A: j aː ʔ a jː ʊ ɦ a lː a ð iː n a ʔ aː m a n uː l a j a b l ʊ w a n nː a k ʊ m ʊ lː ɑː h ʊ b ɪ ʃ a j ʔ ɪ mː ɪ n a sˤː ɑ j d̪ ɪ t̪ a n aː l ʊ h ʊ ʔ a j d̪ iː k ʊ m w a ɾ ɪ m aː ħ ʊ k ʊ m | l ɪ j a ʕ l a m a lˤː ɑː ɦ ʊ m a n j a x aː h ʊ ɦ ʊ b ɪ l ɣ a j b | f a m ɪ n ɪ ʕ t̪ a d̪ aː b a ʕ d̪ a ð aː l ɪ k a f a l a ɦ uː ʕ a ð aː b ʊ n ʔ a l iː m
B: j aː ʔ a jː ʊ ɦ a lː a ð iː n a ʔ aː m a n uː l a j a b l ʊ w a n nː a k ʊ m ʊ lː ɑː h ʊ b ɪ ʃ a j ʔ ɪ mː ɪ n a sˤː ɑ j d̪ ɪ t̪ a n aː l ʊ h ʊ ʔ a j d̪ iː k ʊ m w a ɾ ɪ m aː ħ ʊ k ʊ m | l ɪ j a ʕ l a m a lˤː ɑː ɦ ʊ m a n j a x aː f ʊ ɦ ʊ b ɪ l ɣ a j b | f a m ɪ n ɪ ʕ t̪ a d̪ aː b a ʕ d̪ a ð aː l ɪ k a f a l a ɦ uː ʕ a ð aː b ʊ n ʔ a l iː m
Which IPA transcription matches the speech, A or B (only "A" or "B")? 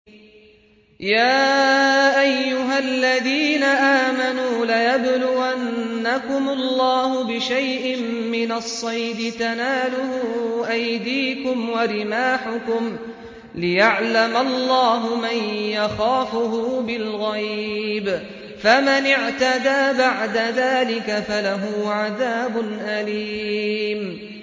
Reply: B